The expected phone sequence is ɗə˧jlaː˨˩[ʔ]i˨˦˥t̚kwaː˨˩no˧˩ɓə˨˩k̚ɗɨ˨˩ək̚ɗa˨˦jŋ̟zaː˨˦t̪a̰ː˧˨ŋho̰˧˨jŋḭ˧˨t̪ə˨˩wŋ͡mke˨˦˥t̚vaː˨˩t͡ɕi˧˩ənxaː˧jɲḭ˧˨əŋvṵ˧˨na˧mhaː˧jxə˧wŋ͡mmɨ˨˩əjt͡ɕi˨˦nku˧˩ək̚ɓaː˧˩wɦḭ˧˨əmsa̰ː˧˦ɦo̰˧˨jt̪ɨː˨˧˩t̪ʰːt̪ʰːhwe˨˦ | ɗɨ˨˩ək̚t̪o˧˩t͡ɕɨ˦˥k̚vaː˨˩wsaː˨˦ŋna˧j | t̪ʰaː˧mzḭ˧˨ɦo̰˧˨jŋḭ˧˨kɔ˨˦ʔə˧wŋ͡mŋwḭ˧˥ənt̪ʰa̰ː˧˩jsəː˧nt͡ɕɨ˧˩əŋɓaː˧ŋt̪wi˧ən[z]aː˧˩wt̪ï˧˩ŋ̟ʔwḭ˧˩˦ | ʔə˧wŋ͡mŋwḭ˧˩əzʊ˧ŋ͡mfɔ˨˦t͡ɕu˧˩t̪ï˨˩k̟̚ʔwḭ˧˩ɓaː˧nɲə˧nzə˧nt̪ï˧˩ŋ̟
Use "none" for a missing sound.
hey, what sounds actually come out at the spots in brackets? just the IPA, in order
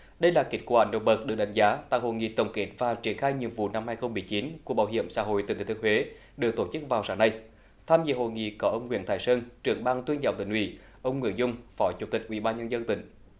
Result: k, z

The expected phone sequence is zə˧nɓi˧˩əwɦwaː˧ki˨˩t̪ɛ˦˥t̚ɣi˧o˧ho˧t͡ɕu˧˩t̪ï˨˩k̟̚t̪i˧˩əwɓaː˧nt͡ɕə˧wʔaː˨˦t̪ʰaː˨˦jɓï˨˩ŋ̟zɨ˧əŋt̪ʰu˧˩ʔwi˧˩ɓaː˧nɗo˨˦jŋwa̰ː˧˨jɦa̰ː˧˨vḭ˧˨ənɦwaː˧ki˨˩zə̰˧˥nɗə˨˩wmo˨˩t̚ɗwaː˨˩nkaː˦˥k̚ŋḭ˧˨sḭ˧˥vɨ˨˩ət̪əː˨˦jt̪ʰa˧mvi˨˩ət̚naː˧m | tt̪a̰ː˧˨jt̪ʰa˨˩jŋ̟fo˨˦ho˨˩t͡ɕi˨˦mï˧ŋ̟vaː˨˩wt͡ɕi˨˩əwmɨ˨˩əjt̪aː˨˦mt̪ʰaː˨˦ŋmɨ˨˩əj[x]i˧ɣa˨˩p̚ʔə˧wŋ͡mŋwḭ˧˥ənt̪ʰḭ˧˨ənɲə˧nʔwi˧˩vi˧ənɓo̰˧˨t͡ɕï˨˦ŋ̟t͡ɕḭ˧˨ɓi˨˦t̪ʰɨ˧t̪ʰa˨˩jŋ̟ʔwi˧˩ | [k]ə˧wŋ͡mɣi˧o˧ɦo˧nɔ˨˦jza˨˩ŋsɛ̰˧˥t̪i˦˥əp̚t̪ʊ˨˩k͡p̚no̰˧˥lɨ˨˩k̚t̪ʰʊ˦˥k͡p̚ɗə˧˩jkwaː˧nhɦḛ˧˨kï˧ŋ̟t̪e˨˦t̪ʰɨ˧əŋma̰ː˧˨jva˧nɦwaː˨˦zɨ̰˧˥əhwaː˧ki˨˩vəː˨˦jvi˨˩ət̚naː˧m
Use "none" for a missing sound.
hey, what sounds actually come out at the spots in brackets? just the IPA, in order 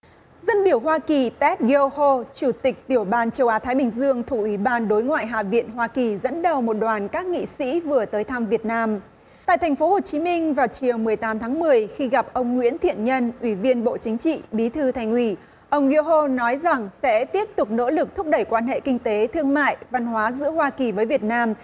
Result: x, ʔ

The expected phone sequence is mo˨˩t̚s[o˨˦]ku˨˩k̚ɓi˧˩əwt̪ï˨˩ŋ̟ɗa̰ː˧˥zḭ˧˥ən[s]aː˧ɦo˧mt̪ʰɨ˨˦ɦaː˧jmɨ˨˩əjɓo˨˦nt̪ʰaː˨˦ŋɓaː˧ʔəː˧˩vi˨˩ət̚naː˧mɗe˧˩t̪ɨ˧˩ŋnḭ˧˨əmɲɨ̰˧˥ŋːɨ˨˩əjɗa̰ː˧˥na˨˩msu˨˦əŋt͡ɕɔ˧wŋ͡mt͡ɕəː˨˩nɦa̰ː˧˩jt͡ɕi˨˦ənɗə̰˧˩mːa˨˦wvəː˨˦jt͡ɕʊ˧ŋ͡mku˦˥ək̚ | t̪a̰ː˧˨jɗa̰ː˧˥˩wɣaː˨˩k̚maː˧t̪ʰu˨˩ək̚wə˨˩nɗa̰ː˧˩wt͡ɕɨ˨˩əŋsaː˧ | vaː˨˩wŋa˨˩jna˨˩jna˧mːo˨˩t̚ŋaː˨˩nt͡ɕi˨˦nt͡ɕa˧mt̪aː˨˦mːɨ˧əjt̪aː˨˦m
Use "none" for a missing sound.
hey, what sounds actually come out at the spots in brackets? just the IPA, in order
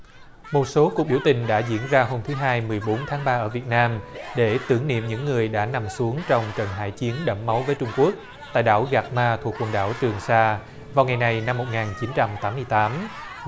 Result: o˨˦, z

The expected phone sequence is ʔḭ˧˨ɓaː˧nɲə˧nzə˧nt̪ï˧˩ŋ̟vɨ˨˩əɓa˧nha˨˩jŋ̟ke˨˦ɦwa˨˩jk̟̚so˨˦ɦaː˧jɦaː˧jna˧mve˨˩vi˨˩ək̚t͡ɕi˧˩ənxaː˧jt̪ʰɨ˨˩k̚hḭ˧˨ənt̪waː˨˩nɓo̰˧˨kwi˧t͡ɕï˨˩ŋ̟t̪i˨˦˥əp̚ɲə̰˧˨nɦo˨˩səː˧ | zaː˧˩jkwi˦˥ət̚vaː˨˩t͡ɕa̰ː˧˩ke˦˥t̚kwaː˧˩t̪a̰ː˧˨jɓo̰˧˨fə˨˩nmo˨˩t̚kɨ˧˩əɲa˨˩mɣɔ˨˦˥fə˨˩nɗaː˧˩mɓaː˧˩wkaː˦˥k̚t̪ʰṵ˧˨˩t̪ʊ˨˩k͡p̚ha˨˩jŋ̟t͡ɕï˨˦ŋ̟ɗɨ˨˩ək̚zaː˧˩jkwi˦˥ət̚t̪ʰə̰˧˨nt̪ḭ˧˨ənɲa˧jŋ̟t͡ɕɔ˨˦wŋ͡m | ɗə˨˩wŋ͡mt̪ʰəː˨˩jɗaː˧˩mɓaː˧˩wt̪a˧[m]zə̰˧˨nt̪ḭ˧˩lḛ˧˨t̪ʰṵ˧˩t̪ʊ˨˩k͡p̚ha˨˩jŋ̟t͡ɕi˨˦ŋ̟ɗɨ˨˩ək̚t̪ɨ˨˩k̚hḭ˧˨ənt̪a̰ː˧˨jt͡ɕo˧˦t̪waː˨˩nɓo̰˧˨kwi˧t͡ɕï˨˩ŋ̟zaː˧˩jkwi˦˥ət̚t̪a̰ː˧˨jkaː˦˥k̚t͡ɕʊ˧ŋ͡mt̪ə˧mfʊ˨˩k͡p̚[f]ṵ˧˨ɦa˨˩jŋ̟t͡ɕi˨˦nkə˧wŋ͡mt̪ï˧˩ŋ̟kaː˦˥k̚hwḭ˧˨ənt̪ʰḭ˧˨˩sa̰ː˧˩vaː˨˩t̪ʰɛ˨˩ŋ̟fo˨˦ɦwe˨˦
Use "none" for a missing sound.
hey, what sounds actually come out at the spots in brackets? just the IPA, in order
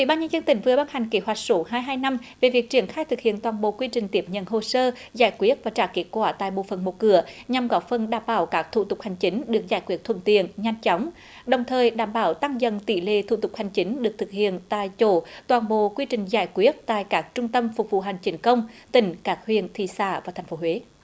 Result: ŋ, v

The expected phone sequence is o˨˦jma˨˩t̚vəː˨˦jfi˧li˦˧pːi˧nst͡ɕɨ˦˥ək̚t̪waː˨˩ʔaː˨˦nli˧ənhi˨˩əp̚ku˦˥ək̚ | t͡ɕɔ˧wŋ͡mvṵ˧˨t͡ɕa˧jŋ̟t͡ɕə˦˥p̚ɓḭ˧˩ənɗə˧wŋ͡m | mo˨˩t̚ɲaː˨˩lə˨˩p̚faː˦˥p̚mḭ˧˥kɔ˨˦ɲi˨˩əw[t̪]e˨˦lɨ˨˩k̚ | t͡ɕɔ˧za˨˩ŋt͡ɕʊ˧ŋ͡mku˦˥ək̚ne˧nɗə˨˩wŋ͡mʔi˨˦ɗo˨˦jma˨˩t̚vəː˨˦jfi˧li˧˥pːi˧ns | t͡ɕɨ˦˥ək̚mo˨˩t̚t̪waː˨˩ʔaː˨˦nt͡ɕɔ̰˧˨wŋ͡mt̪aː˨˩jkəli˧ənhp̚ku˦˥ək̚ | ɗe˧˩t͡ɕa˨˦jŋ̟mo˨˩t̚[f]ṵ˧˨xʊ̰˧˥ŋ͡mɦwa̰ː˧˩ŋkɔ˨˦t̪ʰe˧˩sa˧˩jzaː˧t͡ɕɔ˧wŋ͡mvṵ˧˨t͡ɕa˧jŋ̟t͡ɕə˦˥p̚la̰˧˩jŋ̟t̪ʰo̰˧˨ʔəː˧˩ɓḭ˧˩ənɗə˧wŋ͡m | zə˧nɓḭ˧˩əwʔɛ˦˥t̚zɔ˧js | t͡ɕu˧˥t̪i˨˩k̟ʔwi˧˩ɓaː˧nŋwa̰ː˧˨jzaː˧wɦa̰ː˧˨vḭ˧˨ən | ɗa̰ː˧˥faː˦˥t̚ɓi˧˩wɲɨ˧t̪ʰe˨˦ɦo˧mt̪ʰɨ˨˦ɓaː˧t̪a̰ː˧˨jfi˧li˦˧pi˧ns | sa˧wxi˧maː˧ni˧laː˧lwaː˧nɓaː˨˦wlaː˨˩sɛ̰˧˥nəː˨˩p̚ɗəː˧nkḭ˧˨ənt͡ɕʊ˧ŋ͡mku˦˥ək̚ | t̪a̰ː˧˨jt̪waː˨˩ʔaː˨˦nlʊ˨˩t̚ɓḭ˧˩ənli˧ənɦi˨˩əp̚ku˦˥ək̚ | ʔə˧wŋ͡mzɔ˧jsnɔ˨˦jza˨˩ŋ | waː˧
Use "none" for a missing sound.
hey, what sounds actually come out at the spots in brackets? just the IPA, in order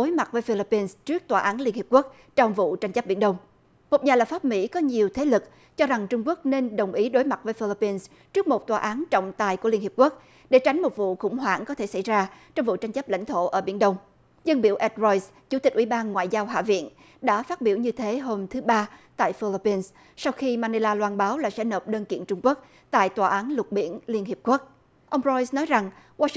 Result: t̪ʰ, v

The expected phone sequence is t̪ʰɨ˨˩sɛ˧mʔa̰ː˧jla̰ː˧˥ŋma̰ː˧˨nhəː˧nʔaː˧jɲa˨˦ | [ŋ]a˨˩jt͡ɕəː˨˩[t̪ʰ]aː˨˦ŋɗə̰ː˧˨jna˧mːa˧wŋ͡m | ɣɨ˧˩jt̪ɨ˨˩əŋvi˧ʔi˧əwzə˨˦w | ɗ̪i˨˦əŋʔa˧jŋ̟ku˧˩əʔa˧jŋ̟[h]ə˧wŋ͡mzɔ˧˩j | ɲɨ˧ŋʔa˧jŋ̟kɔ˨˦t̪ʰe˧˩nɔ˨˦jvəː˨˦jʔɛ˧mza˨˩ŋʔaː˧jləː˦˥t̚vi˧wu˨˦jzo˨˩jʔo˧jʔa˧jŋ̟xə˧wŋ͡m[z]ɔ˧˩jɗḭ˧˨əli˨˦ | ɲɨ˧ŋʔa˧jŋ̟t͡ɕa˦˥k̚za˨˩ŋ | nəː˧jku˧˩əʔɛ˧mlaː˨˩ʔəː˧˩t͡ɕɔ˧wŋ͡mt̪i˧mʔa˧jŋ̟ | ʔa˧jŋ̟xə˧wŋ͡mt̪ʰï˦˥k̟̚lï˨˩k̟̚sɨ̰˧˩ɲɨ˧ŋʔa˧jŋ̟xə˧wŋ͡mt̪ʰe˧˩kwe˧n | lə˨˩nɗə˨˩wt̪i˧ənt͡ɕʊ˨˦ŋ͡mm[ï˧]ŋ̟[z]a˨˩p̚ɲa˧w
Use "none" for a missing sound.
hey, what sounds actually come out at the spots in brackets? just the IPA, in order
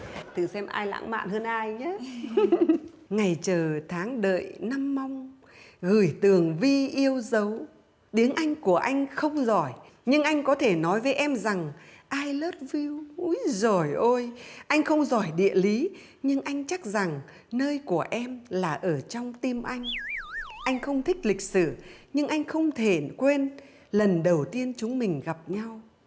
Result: ŋ, t̪ʰ, x, z, ï˨˩, ɣ

